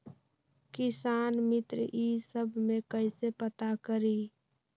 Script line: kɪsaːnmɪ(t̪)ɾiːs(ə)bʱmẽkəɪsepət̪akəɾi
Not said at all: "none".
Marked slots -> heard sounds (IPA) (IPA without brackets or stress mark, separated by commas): t̪, ə